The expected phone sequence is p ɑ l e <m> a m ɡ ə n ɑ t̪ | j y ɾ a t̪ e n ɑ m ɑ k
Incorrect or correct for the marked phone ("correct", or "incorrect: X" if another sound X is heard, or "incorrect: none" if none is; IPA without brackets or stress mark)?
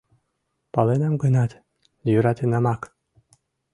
incorrect: n